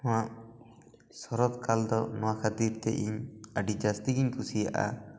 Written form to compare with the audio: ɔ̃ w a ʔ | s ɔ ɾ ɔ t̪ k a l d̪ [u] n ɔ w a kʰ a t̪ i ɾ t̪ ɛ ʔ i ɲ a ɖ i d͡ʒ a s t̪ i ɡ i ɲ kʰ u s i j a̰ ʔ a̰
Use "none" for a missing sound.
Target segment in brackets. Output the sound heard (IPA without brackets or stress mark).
ɔ